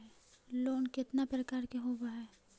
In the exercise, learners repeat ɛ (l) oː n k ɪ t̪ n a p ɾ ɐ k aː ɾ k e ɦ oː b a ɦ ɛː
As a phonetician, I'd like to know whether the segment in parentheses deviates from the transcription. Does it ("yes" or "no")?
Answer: no